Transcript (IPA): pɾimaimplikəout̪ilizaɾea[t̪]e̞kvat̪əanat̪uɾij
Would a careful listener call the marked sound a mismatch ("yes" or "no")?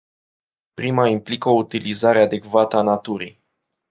yes